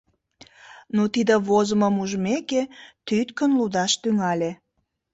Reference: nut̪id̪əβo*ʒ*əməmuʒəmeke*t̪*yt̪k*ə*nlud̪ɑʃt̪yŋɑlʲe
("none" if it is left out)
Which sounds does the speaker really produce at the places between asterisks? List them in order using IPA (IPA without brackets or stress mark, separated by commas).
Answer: z, t̪, ə